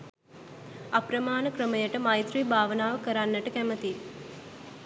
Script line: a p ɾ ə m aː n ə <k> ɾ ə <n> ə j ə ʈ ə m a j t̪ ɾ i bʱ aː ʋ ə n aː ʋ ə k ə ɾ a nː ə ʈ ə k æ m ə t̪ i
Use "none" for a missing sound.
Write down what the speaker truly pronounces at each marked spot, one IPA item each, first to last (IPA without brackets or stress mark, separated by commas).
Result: k, m